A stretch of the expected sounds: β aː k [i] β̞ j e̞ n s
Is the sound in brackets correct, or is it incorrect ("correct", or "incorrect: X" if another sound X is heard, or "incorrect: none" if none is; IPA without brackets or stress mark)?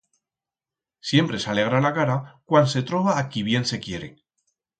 correct